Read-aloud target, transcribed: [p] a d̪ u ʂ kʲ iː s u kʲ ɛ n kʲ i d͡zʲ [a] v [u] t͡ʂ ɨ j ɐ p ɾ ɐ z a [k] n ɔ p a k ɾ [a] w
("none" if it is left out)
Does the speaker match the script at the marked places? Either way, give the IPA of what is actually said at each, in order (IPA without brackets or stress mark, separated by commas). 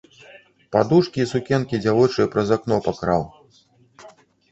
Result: p, a, ɔ, k, a